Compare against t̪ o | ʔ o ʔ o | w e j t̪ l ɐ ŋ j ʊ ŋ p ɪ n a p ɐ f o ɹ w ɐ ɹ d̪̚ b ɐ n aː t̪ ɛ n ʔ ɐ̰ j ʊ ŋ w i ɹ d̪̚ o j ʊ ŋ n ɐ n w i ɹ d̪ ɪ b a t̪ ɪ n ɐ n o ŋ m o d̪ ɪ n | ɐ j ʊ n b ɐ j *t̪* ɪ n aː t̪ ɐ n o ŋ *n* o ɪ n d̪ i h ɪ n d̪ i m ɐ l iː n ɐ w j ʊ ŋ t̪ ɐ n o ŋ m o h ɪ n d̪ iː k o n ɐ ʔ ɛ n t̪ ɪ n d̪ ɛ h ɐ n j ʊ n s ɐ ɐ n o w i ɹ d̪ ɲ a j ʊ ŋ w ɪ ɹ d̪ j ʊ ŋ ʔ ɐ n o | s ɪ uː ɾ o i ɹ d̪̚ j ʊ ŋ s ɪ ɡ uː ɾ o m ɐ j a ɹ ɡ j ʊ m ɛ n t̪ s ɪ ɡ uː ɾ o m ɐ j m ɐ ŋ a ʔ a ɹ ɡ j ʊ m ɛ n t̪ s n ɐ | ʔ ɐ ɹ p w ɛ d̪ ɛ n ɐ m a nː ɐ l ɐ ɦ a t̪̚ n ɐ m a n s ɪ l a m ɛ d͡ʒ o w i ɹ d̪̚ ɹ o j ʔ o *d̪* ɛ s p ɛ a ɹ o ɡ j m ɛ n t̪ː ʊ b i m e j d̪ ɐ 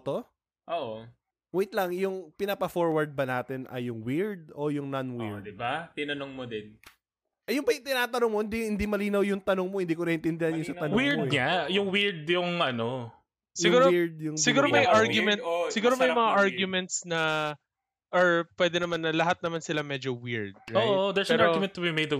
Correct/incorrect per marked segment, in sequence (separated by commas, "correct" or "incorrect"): correct, incorrect, correct